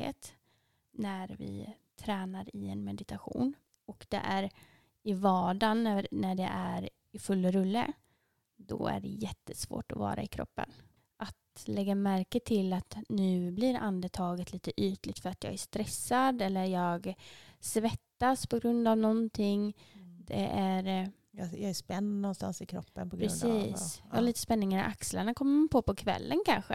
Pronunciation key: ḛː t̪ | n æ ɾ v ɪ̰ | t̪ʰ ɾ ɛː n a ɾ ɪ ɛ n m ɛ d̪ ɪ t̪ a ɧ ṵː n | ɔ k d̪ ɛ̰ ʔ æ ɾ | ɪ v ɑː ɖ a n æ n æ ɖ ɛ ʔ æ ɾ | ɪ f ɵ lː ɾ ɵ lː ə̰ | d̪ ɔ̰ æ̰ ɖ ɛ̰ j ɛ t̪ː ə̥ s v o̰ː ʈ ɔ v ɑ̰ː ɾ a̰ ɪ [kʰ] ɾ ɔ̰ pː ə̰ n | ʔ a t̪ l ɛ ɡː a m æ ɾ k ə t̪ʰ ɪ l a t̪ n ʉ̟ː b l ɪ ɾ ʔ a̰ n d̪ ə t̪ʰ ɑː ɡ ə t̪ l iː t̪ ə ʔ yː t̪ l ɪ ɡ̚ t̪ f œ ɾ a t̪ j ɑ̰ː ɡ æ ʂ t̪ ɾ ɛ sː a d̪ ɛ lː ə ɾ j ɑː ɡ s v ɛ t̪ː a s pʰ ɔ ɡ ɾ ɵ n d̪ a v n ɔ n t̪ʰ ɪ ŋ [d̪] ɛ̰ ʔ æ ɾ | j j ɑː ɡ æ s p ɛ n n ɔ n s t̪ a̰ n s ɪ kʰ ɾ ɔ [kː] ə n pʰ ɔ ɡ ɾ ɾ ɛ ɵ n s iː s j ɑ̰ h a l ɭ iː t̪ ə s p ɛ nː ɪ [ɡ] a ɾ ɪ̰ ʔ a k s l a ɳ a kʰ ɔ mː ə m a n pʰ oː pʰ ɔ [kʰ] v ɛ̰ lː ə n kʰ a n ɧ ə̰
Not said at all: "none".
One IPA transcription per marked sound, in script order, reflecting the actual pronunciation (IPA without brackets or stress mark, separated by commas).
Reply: kʰ, d̪, pː, ŋ, kʰ